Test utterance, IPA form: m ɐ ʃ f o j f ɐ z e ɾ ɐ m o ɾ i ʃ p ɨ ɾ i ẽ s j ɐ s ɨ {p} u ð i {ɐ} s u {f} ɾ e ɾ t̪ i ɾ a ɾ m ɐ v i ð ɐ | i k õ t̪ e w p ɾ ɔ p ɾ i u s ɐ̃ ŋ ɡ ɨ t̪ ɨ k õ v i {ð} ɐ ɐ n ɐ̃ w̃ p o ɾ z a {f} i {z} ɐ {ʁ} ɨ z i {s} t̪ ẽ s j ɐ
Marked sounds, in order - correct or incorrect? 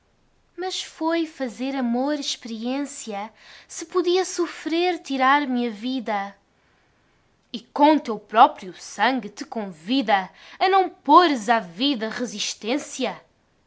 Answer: correct, correct, correct, correct, incorrect: v, incorrect: ð, correct, incorrect: ʃ

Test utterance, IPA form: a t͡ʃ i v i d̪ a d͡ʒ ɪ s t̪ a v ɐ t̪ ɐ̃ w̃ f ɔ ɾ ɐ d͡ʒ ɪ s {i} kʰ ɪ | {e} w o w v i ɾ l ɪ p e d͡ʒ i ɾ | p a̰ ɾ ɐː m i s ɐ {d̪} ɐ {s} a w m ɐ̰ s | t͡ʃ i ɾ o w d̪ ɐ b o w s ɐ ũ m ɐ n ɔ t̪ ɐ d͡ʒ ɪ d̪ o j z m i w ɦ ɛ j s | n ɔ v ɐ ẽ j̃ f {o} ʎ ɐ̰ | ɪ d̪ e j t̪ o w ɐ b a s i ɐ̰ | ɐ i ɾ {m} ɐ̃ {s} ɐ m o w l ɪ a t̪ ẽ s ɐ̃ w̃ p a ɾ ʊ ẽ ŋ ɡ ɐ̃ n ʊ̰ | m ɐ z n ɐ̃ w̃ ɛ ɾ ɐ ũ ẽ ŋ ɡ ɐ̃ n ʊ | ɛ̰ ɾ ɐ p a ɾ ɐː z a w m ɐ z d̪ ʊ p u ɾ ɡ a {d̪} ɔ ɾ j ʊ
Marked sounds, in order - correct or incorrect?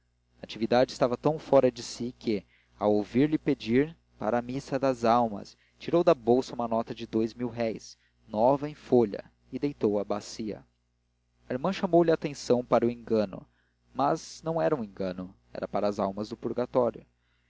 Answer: correct, incorrect: a, correct, incorrect: z, correct, correct, incorrect: ʃ, incorrect: t̪

